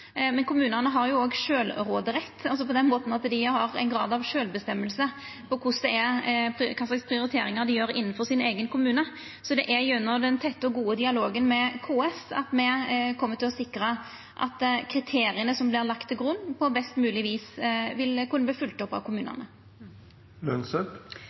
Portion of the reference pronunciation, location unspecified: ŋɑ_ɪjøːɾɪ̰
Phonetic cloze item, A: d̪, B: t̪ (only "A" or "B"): A